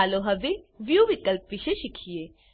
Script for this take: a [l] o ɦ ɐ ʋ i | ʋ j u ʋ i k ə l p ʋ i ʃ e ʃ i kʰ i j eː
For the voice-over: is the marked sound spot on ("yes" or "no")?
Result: yes